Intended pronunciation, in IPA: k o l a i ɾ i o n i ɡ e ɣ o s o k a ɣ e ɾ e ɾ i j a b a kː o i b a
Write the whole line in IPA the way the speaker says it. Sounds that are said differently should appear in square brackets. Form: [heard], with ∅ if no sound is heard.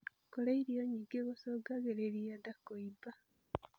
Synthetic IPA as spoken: k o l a i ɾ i o [ɲ] i ɡ e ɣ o s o [ɡ] a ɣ e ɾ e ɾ i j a [d] a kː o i b a

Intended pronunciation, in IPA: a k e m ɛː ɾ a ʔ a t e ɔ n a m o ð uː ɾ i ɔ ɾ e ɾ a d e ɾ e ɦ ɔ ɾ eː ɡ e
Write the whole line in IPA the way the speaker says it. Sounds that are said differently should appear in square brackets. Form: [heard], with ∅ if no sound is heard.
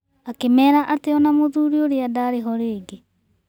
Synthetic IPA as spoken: a k e m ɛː ɾ a ʔ a t e ɔ n a m o ð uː ɾ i [o] ɾ e [∅] a d [a] ɾ e ɦ ɔ ɾ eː ɡ e

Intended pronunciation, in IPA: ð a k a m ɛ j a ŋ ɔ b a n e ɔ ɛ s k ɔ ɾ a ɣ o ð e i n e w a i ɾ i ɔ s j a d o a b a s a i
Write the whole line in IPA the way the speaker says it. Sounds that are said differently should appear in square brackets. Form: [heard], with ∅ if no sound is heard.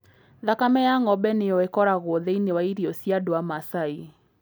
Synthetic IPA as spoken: ð a k a m ɛ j a ŋ ɔ b [ɛ] n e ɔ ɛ [∅] k ɔ ɾ a ɣ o ð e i n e w a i ɾ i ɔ s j a d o a [m] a s a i

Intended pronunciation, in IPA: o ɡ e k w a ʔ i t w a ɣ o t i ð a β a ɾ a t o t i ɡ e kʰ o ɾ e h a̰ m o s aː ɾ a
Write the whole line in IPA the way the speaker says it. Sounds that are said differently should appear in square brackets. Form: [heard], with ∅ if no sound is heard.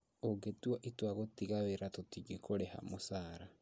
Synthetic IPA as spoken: o ɡ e [t] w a ʔ i t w a ɣ o t i [ɣ] a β [e] ɾ a t o t i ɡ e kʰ o ɾ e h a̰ m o s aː ɾ a

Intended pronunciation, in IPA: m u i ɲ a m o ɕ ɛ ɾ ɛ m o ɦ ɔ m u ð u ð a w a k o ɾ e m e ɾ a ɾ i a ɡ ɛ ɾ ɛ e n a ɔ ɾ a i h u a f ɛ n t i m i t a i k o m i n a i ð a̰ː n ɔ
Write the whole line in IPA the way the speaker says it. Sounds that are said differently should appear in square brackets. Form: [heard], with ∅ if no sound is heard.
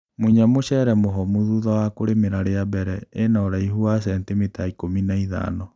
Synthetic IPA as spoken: m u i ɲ a m o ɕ ɛ ɾ ɛ m o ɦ ɔ m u ð u ð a w a k o ɾ e m e ɾ a ɾ [e] a [b] ɛ ɾ ɛ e n a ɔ ɾ a i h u a [s] ɛ n t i m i t a i k o m i n a i ð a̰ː n ɔ

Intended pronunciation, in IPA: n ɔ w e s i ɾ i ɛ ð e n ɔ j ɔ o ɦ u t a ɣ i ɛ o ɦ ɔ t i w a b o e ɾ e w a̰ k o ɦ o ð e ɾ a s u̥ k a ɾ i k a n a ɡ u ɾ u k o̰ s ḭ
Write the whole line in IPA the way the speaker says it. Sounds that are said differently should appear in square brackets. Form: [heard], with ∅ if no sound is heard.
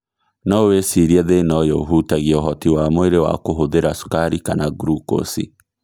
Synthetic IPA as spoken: n ɔ w e s i ɾ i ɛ ð e n ɔ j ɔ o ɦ u t a ɣ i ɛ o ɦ ɔ t i w a [m] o e ɾ e w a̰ k o ɦ o ð e ɾ a s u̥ k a ɾ i k a n a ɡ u ɾ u k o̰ s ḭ

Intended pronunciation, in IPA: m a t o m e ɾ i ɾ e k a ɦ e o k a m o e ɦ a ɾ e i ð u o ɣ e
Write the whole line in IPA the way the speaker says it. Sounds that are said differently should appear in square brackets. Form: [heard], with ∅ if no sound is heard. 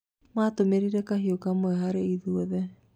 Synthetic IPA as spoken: m a t o m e ɾ i ɾ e k a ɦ [i] o k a m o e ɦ a ɾ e i ð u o [ð] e

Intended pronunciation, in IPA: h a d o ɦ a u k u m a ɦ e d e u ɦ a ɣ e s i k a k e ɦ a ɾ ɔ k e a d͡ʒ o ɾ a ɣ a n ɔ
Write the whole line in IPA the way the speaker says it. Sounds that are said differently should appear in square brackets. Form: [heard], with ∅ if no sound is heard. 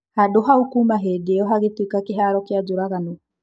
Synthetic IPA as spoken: h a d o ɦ a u k u m a ɦ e d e [ɔ] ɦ a ɣ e [t] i k a k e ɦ a ɾ ɔ k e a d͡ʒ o ɾ a ɣ a n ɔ

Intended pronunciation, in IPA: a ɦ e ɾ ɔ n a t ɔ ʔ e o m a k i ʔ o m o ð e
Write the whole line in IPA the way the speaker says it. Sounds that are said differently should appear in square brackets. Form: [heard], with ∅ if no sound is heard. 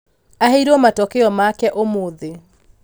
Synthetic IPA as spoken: a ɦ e ɾ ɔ [m] a t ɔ [k] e [ɔ] m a k [ɛ] ʔ o m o ð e

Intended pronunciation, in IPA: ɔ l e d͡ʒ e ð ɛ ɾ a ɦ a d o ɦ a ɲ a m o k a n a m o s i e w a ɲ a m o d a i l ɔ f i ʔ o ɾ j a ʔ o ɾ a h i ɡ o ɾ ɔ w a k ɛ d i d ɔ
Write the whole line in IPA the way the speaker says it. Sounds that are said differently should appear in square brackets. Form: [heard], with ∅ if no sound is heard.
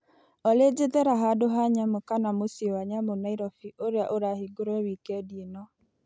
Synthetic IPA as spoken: ɔ l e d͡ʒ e ð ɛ ɾ a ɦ a d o ɦ a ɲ a m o k a n a m o s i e w a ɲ a m o [n] a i [ɾ] ɔ f i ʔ o ɾ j a ʔ o ɾ a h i ɡ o ɾ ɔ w [i] k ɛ d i [n] ɔ

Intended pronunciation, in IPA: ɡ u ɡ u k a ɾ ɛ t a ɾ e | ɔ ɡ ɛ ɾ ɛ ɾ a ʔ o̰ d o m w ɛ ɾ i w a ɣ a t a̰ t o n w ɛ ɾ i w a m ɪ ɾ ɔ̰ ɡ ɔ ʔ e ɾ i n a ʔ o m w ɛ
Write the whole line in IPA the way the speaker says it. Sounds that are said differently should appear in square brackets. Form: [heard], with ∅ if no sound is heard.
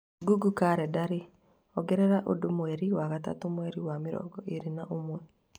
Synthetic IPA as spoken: ɡ u ɡ u k a ɾ ɛ [d] a ɾ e | ɔ ɡ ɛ ɾ ɛ ɾ a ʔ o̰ d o m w ɛ ɾ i w a ɣ a t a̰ t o [m] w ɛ ɾ i w a m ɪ ɾ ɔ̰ ɡ ɔ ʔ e ɾ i n a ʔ o m w ɛ

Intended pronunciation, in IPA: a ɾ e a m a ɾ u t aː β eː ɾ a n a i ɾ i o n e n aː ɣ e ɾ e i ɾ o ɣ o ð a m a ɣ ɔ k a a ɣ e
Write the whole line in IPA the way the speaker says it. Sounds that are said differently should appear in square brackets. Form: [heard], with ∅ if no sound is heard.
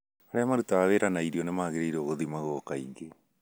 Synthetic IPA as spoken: a ɾ e a m a ɾ u t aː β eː ɾ a n a i ɾ i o n e [m] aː ɣ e ɾ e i ɾ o ɣ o ð [i] m a ɣ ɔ k a [i] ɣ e

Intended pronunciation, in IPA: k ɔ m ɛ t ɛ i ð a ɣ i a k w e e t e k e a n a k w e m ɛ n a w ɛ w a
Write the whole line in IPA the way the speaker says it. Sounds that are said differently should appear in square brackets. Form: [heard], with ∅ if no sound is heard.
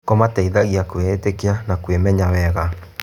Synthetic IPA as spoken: k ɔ m [a] t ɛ i ð a ɣ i a k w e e t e k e a n a k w e m ɛ [ɲ] a w ɛ [ɣ] a

